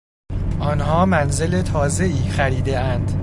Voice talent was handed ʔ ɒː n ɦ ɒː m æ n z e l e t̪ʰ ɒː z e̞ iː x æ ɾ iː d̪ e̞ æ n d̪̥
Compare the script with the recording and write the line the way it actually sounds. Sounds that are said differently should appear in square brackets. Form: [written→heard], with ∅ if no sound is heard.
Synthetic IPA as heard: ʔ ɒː n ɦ ɒː m æ n z e l e t̪ʰ ɒː z e̞ iː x æ ɾ iː d̪ e̞ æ n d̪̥